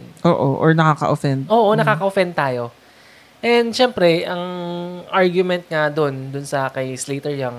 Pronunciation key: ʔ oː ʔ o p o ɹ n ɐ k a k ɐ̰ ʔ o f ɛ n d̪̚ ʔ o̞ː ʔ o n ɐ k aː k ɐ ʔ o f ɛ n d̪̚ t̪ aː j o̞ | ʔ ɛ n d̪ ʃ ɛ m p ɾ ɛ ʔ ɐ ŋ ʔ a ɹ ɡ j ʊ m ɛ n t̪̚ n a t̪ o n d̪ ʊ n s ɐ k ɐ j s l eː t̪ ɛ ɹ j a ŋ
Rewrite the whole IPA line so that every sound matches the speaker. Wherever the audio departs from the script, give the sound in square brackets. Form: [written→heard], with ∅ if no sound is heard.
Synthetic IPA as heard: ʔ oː ʔ o [p→ʔ] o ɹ n ɐ k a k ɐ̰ ʔ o f ɛ n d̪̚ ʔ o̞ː ʔ o n ɐ k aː k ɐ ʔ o f ɛ n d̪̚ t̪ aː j o̞ | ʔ ɛ n d̪ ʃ ɛ m p ɾ ɛ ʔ ɐ ŋ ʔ a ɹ ɡ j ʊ m ɛ n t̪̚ [n→ŋ] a [t̪→d̪] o n d̪ ʊ n s ɐ k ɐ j s l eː t̪ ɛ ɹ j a ŋ